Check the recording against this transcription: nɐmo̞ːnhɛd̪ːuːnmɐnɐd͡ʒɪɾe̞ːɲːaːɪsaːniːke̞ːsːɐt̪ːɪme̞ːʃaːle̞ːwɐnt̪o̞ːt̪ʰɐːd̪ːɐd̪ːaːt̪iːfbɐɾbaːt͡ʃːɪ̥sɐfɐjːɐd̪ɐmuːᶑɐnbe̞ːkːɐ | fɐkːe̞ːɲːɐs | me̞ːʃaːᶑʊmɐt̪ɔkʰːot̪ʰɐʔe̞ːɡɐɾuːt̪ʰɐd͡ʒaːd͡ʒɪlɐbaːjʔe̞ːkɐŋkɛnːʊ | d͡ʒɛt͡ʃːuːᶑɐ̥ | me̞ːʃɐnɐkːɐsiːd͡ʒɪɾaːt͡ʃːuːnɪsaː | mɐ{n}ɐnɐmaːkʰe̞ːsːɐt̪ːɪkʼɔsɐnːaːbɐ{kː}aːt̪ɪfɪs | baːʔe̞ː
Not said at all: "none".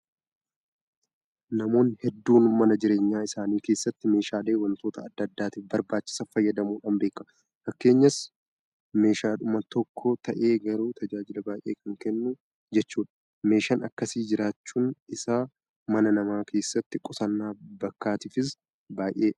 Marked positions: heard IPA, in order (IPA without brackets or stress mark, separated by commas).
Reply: n, kː